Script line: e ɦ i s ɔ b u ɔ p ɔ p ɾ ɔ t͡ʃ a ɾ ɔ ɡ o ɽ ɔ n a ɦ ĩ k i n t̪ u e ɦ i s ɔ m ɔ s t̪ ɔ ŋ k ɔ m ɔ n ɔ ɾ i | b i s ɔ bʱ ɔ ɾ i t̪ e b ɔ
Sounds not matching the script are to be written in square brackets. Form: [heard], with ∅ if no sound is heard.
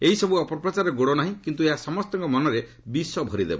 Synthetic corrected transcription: e ɦ i s ɔ b u ɔ p ɔ p ɾ ɔ t͡ʃ a ɾ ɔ ɡ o ɽ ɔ n a ɦ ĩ k i n t̪ u e ɦ [a] s ɔ m ɔ s t̪ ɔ ŋ k ɔ m ɔ n ɔ ɾ [e] | b i s ɔ bʱ ɔ ɾ i [d̪] e b ɔ